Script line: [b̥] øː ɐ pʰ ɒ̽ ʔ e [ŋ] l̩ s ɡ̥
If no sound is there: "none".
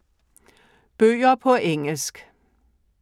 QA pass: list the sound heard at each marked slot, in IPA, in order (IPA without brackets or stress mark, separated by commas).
b̥, ŋ